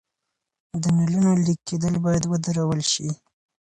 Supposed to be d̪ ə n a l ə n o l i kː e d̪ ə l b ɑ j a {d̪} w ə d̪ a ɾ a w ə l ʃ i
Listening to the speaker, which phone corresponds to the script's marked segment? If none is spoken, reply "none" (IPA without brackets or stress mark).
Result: d̪